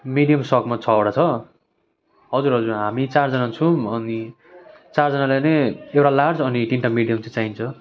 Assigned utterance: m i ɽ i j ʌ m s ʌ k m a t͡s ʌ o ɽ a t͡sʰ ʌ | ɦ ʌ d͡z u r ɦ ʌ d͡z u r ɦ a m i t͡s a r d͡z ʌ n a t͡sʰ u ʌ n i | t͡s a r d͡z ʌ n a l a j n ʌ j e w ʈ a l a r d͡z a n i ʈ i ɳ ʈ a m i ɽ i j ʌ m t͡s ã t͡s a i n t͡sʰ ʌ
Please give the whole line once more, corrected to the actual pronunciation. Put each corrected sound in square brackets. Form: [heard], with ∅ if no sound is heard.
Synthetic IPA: m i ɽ i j ʌ m s ʌ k m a [t͡sʰ] ʌ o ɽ a t͡sʰ ʌ | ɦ ʌ d͡z u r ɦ ʌ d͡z u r ɦ a m i t͡s a r d͡z ʌ n a t͡sʰ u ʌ n i | t͡s a r d͡z ʌ n a l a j n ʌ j e w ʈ a l a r d͡z [ʌ] n i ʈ i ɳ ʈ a m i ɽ i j ʌ m t͡s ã t͡s a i n t͡sʰ ʌ